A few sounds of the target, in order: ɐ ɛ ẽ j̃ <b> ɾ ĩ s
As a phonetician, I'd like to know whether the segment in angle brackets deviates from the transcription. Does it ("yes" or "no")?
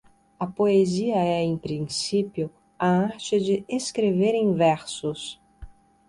yes